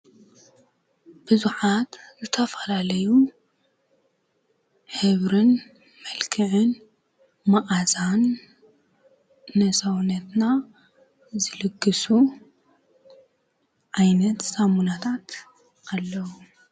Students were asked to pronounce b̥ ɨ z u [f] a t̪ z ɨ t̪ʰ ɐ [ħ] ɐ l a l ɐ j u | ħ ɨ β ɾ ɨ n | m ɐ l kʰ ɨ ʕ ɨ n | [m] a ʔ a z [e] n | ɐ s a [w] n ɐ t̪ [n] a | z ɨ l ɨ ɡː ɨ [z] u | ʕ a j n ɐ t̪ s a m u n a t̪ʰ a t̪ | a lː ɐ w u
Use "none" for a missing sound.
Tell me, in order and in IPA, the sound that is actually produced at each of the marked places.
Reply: ħ, f, m, a, w, n, s

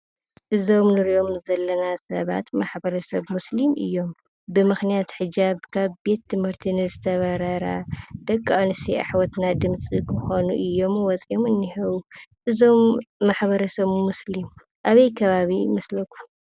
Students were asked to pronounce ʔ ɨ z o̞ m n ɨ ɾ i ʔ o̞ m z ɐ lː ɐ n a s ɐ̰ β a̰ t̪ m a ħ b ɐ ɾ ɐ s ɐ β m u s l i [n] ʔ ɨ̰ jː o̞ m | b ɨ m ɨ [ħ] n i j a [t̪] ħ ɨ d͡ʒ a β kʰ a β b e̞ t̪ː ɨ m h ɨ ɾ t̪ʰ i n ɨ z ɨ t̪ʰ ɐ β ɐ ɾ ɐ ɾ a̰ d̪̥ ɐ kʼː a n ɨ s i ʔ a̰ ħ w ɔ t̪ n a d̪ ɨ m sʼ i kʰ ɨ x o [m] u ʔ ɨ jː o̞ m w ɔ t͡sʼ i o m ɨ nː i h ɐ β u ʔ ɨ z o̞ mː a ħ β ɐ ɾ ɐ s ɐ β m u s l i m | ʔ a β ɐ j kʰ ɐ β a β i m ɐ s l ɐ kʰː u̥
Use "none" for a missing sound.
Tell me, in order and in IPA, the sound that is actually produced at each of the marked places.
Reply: m, x, t̪, n

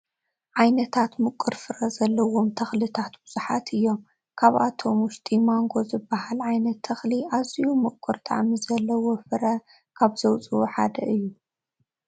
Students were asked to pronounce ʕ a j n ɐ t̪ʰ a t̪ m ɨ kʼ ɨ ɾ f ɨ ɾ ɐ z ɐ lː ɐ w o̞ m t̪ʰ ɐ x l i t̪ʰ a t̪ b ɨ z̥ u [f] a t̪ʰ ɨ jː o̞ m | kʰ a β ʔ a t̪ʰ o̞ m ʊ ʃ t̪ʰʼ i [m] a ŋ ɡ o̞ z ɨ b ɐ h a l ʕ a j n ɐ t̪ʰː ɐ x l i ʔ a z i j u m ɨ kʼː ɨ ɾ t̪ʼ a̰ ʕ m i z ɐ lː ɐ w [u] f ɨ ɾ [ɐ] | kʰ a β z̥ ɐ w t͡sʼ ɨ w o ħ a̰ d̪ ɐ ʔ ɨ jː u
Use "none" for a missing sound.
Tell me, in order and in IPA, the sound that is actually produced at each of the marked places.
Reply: ħ, m, o, ɐ

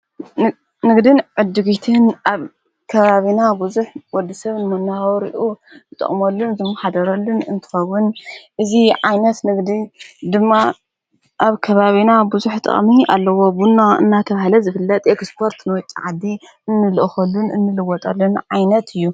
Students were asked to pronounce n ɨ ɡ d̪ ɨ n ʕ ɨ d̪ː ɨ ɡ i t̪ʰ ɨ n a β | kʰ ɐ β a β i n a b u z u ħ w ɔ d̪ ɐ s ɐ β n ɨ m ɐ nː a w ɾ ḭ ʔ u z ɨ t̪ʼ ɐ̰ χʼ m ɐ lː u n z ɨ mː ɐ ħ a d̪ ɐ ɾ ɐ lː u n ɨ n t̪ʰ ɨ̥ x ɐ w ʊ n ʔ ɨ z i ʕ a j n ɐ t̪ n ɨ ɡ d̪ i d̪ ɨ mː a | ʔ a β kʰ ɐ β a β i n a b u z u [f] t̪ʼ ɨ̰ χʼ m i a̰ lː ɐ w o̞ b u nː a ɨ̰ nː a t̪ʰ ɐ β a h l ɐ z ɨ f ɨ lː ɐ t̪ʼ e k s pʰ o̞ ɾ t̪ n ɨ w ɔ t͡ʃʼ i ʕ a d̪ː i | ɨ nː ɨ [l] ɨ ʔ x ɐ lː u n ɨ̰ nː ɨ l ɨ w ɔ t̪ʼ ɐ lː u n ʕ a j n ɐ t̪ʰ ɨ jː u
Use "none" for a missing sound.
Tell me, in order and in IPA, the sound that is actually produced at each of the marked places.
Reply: ħ, l

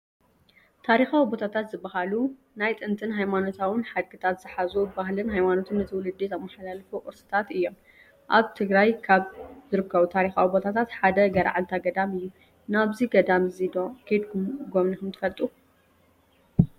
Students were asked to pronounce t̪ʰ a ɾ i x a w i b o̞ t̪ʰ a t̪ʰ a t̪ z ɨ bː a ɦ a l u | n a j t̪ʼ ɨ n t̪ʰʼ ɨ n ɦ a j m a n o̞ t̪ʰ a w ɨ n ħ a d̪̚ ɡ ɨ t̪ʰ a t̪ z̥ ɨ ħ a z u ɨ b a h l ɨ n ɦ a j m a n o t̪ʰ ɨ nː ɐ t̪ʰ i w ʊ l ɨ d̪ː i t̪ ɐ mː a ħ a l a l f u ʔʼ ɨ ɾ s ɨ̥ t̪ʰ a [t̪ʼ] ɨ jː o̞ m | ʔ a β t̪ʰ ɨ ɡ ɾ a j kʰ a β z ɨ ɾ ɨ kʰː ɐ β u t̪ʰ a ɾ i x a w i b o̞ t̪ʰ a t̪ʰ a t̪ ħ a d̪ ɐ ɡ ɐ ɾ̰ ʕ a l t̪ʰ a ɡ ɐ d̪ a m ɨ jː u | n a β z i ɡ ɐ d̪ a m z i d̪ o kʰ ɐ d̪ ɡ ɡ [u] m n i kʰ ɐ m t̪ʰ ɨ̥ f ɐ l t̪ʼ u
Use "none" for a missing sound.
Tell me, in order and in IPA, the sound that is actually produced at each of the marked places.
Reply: t̪, o

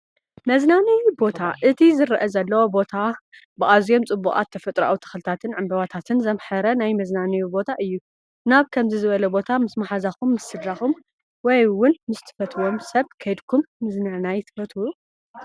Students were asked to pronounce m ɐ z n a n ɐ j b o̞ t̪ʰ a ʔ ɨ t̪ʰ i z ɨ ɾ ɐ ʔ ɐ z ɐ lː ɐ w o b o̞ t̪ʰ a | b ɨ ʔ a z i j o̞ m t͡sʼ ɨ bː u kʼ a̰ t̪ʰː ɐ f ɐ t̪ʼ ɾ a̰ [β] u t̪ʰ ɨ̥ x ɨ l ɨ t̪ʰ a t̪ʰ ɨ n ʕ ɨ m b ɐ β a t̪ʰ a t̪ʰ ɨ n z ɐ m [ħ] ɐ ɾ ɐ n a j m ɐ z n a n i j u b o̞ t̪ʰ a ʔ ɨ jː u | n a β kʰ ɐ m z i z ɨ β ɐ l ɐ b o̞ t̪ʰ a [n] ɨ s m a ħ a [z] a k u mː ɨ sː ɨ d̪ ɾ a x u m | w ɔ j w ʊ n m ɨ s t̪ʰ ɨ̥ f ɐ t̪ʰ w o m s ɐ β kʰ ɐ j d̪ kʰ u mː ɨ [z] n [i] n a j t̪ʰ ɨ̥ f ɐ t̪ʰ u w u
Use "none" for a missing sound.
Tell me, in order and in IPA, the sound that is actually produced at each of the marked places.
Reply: w, ħ, m, z, z, a

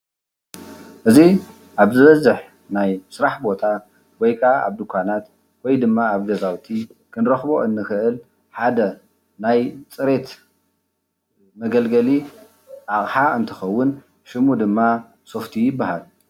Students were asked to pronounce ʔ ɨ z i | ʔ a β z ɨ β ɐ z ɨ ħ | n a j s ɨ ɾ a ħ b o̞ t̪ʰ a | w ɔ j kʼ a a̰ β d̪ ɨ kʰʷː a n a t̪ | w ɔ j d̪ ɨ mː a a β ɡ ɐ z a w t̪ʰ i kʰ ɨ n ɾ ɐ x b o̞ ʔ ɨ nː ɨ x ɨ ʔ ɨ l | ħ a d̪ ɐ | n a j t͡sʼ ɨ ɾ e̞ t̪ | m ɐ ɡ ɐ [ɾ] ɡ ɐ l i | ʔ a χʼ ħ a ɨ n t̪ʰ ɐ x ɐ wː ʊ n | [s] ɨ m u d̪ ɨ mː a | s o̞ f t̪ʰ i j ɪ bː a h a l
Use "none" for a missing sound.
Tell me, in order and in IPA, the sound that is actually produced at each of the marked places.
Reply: l, ʃ

